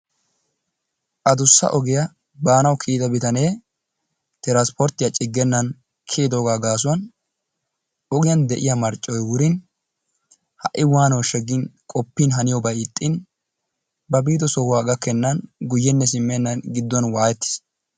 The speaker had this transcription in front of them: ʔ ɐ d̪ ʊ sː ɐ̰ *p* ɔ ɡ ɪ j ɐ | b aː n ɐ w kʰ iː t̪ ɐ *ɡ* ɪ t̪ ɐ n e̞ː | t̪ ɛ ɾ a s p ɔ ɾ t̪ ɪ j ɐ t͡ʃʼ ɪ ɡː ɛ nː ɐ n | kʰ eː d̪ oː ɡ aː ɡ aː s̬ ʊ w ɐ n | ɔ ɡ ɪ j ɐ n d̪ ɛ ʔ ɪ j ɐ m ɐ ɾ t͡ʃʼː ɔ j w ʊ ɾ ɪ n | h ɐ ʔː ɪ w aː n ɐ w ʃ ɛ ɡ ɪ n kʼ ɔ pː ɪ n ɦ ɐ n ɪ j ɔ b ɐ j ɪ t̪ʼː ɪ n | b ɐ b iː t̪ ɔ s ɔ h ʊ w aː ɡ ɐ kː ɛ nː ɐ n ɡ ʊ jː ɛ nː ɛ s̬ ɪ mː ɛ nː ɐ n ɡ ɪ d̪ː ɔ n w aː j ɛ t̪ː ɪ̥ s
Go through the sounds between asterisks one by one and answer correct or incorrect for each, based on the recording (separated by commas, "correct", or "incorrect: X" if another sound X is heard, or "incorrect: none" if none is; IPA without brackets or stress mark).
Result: incorrect: ʔ, incorrect: b